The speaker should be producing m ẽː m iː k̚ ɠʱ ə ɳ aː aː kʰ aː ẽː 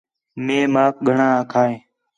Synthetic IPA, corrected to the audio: m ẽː m aː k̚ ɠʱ ə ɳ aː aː kʰ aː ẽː